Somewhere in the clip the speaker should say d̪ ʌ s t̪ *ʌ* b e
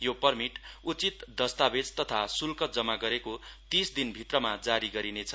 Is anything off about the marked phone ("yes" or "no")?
yes